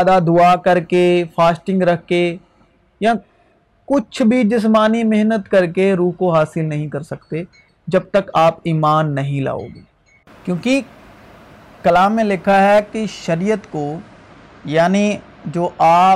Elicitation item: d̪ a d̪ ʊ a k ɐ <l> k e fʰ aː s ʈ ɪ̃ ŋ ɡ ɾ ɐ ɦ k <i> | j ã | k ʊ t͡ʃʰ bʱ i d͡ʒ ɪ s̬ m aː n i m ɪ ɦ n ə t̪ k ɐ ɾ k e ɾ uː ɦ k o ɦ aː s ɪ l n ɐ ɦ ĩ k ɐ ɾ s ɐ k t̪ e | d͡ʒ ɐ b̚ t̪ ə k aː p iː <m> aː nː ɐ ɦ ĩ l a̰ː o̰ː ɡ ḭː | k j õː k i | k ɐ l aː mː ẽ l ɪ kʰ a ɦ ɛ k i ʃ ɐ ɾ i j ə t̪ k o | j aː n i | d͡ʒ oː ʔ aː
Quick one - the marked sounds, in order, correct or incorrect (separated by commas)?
incorrect, incorrect, correct